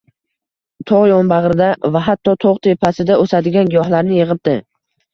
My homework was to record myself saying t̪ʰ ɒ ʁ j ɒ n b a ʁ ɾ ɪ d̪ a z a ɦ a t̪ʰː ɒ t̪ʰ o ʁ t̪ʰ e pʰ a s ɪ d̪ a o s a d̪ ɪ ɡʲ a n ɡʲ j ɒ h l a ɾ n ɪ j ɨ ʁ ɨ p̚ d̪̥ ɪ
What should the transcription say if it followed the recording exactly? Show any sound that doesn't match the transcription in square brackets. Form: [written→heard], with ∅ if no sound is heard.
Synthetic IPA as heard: t̪ʰ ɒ ʁ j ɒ n b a ʁ ɾ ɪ d̪ a [z→v] a ɦ a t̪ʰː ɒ t̪ʰ o ʁ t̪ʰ e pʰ a s ɪ d̪ a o s a d̪ ɪ ɡʲ a n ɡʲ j ɒ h l a ɾ n ɪ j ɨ ʁ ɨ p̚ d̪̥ ɪ